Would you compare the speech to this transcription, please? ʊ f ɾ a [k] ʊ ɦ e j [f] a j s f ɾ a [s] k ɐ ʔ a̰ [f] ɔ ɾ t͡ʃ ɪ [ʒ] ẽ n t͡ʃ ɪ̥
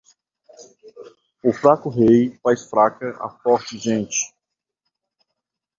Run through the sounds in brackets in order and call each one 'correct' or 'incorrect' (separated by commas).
correct, correct, incorrect, correct, correct